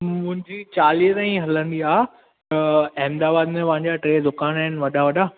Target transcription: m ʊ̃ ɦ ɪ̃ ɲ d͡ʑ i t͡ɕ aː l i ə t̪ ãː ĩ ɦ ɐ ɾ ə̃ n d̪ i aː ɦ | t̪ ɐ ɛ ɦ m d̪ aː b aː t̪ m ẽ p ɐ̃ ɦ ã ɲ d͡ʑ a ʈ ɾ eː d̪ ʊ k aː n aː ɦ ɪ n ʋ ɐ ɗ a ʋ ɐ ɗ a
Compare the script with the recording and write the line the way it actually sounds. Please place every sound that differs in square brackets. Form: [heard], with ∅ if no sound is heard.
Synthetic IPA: m ʊ̃ ɦ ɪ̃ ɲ d͡ʑ i t͡ɕ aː l i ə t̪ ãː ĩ ɦ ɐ [l] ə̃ n d̪ i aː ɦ | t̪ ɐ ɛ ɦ m d̪ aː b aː [d̪] m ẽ p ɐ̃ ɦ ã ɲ d͡ʑ a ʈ ɾ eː d̪ ʊ k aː n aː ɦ ɪ n ʋ ɐ ɗ a ʋ ɐ ɗ a